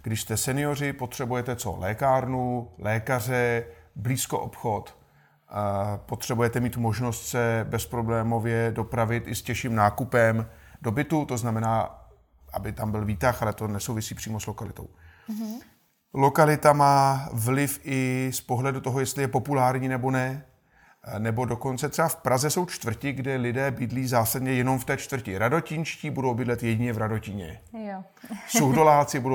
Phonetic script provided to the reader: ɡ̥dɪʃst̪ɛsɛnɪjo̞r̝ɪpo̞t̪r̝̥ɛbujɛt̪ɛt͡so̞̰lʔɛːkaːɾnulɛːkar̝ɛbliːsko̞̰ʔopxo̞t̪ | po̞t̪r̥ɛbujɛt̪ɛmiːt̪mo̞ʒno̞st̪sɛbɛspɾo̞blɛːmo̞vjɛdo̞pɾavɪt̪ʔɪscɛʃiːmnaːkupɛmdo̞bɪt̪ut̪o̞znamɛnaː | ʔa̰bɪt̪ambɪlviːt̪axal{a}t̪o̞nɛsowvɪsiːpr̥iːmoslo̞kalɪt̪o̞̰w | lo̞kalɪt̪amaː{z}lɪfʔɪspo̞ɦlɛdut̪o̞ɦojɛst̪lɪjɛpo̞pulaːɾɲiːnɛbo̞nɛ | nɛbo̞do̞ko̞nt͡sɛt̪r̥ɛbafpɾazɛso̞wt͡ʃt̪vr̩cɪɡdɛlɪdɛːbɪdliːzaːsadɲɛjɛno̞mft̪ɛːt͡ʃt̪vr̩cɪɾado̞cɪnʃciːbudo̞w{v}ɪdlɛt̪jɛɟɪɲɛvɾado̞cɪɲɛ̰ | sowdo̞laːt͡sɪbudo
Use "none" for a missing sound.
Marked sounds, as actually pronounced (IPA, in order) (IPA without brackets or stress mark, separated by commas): ɛ, v, b